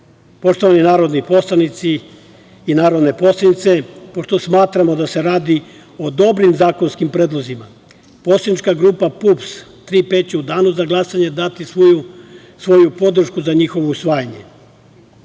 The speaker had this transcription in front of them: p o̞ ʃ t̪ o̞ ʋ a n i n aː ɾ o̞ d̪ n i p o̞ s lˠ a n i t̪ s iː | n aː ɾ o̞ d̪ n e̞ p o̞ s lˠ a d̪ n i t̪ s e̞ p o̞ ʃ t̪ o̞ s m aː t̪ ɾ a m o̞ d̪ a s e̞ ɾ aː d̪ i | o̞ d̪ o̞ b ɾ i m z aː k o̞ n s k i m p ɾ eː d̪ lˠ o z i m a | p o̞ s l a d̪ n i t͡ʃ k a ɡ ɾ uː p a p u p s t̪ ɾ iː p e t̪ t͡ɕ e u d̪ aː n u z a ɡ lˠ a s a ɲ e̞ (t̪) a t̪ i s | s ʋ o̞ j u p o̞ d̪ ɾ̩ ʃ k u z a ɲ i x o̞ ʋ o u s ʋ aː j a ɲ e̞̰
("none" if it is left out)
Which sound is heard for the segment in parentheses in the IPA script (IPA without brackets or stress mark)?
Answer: d̪